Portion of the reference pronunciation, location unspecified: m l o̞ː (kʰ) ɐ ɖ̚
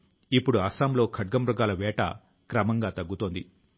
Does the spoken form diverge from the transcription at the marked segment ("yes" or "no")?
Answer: no